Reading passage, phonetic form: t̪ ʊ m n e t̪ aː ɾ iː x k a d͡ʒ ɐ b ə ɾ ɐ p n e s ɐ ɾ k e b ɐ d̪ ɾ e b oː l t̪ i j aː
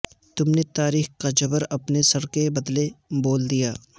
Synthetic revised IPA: t̪ ʊ m n e t̪ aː ɾ iː x k a d͡ʒ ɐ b ə ɾ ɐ p n e s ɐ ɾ k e b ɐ d̪ l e b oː l d̪ i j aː